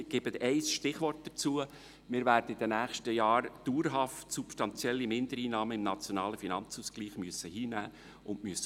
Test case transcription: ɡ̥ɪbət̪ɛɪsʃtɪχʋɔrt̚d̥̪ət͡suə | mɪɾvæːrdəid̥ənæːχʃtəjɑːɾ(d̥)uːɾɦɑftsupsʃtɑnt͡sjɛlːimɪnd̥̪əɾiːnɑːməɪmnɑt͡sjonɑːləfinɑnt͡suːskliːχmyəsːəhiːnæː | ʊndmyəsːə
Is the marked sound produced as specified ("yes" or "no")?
yes